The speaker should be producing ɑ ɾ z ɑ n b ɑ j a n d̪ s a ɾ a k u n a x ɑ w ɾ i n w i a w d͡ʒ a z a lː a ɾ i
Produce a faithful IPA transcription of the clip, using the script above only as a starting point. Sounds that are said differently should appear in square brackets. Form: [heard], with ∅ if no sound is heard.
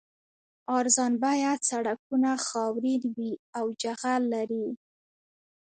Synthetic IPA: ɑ ɾ z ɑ n b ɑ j a [∅] d̪ s a [ɽ] a k u n a x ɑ w ɾ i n w i a w d͡ʒ a [ɣ] a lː a ɾ i